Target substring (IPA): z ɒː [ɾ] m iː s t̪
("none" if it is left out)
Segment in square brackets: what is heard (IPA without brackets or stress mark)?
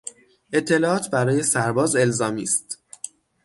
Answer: none